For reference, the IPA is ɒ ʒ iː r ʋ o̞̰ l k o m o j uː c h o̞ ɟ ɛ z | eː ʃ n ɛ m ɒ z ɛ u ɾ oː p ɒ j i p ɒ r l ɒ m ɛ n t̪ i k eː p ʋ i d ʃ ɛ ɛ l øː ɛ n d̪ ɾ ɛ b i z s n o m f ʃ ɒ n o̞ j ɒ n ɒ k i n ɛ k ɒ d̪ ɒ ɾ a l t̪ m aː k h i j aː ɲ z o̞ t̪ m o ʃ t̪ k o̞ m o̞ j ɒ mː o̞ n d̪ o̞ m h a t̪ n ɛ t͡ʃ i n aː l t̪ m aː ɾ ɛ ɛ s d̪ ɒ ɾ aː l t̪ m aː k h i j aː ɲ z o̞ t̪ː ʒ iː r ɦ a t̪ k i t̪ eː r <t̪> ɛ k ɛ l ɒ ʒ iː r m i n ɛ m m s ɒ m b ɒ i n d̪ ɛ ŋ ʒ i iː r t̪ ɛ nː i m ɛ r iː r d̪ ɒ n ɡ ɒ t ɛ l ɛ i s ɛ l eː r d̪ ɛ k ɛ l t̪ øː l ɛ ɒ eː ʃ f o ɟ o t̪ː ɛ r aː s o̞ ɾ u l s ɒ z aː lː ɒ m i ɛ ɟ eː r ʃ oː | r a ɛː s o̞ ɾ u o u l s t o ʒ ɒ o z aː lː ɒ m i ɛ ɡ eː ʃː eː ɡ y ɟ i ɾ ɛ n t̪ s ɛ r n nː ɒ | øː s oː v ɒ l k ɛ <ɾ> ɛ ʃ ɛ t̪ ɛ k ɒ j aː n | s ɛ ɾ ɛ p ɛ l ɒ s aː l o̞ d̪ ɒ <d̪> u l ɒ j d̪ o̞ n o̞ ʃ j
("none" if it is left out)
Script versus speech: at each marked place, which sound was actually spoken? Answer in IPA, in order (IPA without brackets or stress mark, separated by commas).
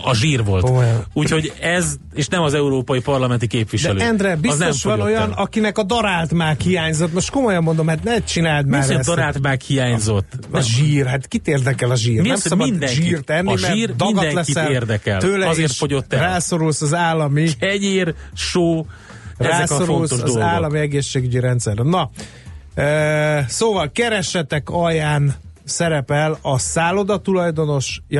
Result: d̪, ɾ, t̪